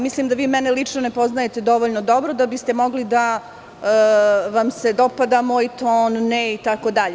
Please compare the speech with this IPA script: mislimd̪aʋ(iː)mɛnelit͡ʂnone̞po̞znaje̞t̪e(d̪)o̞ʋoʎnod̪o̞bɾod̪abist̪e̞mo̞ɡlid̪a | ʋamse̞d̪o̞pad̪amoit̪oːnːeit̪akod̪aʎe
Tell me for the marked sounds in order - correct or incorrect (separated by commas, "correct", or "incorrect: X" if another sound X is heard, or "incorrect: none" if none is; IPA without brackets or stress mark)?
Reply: correct, correct